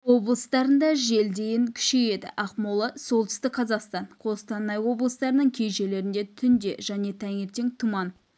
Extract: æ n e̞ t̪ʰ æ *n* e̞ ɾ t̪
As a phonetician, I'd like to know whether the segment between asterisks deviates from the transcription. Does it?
yes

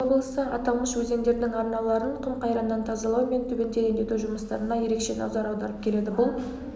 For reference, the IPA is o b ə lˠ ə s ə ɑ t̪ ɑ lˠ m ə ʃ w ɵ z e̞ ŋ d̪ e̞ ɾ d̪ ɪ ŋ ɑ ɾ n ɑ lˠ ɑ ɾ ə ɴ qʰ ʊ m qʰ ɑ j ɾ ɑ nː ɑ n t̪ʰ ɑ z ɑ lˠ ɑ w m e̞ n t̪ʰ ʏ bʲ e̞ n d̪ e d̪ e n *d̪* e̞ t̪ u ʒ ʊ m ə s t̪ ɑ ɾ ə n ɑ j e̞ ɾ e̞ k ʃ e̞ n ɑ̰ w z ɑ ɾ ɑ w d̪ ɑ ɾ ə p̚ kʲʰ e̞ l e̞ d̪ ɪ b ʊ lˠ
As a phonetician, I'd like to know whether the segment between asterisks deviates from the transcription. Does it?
no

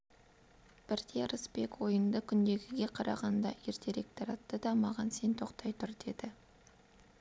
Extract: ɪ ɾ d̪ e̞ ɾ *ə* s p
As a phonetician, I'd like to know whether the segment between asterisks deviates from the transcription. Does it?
no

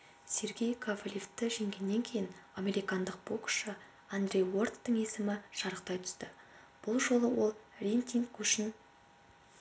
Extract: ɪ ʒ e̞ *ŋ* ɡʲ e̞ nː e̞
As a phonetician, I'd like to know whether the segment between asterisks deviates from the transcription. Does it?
no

